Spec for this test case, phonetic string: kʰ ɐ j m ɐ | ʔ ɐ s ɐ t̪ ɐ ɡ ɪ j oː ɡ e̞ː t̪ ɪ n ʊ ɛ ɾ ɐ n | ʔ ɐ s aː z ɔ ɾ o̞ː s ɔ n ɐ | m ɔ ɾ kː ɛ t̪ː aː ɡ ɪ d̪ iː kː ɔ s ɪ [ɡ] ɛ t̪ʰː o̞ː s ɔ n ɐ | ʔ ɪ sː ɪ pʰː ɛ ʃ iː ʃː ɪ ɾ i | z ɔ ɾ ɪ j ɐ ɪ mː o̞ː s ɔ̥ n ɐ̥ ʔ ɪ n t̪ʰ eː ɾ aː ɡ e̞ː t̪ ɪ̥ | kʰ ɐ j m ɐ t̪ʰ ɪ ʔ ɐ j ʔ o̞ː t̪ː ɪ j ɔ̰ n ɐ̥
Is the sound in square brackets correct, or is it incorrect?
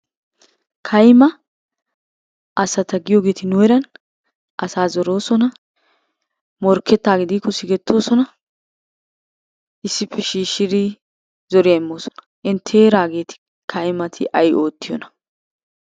correct